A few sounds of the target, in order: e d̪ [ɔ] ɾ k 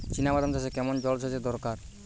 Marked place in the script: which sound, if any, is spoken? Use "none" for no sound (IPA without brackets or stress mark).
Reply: ɔ